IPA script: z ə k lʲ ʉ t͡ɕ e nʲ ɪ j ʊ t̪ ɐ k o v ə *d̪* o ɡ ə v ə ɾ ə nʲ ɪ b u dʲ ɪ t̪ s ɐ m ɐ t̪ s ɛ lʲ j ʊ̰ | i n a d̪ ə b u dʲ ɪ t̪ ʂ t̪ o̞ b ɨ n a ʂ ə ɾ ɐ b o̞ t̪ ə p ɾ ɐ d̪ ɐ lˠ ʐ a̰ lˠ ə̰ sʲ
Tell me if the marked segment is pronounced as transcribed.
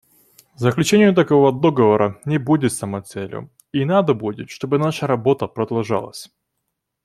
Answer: yes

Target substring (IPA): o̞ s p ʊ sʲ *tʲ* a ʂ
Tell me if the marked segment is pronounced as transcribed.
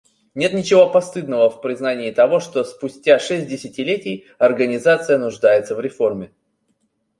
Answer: yes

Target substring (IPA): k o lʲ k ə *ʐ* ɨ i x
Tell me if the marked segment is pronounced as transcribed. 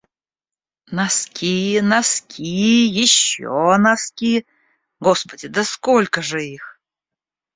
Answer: yes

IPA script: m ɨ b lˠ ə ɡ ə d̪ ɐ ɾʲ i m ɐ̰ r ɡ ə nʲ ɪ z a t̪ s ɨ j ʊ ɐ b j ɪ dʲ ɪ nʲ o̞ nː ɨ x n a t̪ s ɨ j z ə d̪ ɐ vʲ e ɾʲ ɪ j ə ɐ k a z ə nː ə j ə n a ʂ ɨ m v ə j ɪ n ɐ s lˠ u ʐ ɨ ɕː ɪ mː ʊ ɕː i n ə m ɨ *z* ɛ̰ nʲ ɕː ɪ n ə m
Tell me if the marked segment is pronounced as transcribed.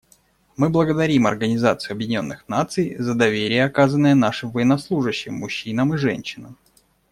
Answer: no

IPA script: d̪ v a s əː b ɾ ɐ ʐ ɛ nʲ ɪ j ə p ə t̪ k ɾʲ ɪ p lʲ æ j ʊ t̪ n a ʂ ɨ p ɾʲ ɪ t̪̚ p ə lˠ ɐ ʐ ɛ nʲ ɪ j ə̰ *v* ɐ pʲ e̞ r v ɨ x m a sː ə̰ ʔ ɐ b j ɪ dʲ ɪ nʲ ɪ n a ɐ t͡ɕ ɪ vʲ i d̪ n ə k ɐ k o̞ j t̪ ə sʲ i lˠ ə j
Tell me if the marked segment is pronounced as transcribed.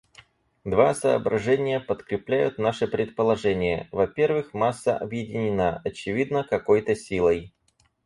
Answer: yes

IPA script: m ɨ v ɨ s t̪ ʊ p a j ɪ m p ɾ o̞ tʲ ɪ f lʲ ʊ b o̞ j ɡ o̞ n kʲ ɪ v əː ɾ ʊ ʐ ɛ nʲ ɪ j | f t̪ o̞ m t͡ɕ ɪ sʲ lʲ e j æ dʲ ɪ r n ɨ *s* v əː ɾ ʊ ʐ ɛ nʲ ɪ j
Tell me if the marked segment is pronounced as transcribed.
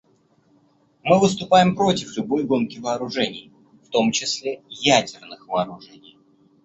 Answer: no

